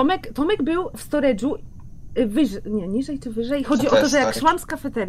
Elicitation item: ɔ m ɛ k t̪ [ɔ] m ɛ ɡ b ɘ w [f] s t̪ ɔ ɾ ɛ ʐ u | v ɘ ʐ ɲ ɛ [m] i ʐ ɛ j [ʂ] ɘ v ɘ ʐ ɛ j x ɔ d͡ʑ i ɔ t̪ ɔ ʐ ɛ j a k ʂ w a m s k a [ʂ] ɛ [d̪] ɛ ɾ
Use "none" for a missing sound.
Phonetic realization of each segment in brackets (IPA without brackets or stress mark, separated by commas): ɔ, f, ɲ, t͡ʂ, f, t̪